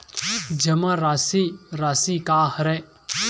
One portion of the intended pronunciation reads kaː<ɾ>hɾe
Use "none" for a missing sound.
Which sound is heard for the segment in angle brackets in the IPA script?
none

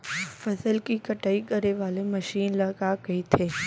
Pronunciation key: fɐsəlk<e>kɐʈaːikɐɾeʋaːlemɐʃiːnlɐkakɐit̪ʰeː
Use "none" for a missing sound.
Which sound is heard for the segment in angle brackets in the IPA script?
i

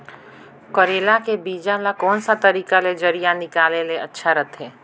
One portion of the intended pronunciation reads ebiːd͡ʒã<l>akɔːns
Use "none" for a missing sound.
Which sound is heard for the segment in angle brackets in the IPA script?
l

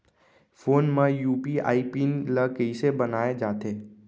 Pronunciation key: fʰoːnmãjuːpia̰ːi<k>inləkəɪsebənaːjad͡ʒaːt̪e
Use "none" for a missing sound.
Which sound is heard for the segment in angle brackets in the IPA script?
p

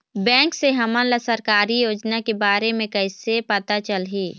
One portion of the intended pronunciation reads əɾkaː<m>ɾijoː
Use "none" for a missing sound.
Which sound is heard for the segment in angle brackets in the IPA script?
none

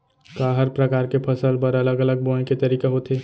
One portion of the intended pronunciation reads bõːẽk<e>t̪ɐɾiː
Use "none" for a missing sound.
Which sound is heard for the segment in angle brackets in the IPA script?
e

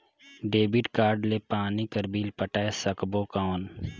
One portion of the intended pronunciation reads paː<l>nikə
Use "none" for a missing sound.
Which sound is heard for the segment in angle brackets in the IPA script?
none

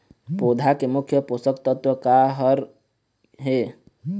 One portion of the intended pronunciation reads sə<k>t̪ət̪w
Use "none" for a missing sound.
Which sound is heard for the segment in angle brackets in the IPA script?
k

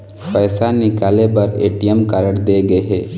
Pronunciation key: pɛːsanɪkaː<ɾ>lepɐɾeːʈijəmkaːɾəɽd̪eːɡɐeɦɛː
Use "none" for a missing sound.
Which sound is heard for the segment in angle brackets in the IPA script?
none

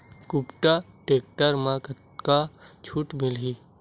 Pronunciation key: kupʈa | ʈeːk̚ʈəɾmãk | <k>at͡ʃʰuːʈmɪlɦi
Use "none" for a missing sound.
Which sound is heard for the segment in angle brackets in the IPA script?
k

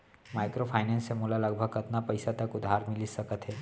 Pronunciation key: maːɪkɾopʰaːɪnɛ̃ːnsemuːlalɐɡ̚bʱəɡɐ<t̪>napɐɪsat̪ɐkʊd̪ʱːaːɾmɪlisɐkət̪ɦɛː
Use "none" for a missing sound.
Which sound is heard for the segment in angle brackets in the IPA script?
t̪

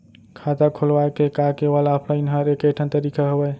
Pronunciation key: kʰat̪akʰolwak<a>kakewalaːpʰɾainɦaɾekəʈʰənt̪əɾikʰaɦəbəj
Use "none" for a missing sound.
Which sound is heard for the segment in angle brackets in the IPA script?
e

